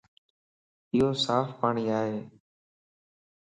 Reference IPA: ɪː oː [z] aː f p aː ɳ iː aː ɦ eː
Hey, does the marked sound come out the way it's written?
no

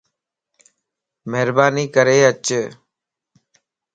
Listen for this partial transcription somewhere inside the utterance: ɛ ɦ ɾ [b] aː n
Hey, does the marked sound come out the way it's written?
yes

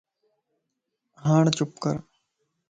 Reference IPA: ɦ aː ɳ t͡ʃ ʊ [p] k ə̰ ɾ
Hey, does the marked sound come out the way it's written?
yes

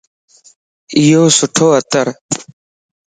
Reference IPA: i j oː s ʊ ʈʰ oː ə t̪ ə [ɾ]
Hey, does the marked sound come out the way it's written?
yes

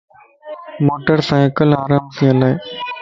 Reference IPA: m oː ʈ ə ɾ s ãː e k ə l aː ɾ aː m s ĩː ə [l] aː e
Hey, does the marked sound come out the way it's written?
yes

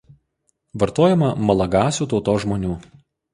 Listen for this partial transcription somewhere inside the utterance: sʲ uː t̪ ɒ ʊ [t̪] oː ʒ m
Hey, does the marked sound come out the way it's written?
yes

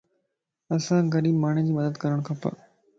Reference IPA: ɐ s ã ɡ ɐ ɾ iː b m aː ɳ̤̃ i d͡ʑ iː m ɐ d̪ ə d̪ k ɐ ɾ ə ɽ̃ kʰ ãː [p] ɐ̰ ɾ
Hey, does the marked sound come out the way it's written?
yes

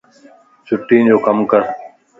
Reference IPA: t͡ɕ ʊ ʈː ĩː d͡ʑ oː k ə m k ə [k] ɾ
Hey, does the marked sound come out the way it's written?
no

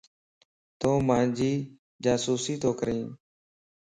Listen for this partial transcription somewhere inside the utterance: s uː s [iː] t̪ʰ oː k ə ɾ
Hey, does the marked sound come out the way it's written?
yes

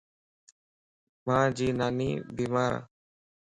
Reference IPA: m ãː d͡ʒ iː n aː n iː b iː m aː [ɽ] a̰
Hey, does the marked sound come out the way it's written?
no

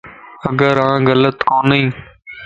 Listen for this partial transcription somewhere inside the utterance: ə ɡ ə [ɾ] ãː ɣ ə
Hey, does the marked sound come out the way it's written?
yes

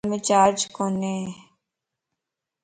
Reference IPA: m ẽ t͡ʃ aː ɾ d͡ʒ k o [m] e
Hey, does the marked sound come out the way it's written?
no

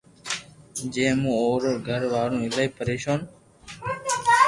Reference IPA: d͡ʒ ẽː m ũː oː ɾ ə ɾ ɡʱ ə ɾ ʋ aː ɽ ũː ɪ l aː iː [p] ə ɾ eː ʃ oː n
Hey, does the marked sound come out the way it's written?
yes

